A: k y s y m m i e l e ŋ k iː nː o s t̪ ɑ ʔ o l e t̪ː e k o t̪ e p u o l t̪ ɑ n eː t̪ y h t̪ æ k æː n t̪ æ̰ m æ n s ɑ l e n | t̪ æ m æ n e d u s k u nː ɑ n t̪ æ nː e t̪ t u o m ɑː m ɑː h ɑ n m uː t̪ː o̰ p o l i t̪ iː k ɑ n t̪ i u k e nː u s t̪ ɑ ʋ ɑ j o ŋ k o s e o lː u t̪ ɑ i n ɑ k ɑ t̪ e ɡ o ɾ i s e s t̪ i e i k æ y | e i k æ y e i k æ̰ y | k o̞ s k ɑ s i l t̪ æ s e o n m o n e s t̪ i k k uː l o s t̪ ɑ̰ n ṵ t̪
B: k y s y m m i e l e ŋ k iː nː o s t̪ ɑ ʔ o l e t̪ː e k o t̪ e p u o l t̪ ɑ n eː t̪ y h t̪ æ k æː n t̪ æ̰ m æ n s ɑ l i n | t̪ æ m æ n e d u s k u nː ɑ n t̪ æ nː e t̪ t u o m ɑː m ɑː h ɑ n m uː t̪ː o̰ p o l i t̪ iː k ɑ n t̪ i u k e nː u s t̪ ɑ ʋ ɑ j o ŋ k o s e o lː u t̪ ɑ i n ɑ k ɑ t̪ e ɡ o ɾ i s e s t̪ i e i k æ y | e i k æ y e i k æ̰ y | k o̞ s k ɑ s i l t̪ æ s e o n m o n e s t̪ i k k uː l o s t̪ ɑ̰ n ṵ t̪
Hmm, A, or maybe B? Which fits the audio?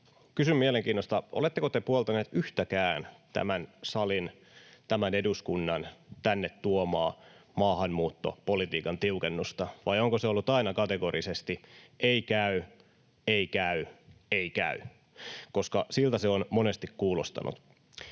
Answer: B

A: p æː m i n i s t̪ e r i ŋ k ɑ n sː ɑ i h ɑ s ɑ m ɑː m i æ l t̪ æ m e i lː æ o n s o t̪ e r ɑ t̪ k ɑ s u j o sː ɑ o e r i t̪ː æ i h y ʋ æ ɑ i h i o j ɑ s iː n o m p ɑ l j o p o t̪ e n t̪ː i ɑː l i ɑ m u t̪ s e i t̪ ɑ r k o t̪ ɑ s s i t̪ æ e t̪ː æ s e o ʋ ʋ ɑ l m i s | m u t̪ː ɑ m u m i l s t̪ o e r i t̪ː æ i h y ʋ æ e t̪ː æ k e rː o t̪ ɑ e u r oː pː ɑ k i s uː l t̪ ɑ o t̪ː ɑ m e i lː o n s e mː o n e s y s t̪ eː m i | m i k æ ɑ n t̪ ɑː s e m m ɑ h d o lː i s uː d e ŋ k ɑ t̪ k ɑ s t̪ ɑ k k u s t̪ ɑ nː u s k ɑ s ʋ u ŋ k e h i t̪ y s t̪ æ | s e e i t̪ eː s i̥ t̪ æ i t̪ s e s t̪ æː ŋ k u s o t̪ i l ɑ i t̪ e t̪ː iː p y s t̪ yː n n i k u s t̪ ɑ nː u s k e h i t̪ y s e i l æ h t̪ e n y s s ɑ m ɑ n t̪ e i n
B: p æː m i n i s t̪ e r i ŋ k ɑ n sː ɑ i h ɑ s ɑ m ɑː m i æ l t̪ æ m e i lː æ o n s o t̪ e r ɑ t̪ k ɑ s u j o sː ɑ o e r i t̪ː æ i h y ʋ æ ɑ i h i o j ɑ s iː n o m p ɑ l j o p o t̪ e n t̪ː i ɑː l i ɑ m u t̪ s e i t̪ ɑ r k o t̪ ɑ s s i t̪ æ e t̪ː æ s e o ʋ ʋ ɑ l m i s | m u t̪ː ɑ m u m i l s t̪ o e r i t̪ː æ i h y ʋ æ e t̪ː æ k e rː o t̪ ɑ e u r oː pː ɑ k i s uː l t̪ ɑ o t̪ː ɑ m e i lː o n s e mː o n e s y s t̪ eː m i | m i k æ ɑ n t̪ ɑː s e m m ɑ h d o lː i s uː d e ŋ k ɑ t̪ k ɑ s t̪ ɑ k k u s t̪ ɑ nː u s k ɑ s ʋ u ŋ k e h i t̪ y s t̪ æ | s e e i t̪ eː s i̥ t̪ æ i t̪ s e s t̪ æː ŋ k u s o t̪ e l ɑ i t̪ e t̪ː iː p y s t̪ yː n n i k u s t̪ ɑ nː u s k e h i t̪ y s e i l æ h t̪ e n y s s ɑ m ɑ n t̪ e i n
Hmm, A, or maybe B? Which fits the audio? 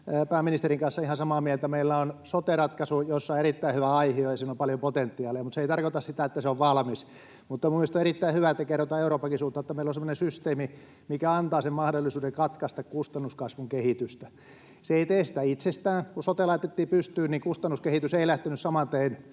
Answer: B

